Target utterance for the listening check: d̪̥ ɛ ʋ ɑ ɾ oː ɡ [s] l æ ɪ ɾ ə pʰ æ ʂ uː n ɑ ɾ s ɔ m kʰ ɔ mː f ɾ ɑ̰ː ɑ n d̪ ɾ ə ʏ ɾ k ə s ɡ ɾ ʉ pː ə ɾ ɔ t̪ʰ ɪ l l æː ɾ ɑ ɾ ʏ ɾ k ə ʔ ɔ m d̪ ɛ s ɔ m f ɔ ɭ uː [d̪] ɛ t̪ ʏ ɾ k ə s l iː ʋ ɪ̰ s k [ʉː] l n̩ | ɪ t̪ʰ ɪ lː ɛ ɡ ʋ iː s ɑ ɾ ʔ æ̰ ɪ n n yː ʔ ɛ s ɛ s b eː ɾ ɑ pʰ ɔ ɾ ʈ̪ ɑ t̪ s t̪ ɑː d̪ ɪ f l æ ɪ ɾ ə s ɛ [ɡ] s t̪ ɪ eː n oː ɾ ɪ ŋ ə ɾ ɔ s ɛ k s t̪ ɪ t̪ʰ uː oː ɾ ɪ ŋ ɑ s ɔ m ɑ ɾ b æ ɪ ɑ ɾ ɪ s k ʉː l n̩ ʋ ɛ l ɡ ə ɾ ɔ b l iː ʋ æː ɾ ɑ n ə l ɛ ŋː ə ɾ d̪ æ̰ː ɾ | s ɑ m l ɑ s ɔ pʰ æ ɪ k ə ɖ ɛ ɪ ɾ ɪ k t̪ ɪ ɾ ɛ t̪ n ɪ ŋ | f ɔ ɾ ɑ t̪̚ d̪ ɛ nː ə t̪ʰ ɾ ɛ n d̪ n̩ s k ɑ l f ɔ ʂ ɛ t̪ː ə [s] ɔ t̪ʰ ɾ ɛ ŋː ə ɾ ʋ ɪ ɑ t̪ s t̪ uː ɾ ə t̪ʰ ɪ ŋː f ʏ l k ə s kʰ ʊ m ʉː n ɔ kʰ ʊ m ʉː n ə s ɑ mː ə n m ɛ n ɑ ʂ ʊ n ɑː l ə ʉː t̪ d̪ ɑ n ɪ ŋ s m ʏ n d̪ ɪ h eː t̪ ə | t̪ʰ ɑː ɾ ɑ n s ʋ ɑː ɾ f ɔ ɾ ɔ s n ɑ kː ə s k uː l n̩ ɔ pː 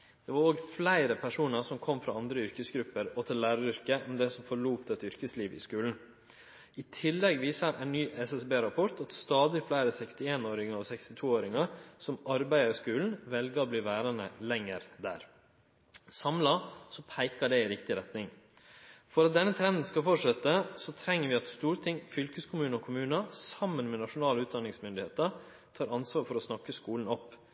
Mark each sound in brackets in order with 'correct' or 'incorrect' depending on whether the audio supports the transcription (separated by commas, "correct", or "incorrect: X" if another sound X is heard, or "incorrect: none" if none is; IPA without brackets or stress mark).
incorrect: f, incorrect: t̪, correct, incorrect: k, correct